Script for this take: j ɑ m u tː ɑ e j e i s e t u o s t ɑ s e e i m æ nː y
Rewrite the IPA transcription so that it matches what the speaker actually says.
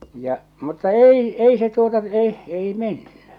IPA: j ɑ m u tː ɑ e i e i s e t u o t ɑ s e e i m e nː y